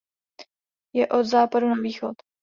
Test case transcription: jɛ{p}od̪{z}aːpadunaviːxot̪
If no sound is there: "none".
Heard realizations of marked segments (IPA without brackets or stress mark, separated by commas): ʔ, z